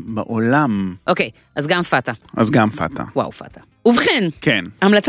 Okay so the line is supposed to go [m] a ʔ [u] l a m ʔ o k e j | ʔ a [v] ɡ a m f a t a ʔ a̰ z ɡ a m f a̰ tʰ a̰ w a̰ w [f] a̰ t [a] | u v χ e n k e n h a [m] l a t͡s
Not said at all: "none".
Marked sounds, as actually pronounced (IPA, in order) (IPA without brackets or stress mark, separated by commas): b, o, z, f, a, m